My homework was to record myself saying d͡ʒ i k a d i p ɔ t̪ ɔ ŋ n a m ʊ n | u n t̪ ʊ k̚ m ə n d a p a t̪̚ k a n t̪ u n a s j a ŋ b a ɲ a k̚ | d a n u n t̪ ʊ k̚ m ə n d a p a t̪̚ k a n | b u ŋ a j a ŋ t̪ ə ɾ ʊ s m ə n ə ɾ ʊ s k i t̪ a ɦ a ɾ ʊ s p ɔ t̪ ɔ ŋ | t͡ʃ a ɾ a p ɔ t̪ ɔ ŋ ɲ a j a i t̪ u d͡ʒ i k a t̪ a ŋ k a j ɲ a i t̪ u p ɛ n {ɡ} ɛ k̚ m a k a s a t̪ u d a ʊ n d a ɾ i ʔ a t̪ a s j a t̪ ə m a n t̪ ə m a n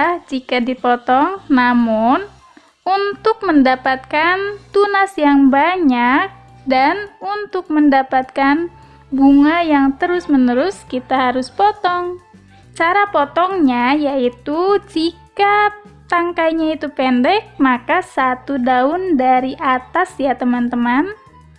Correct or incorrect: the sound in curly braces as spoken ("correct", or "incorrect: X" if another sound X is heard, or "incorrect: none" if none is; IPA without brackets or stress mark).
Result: incorrect: d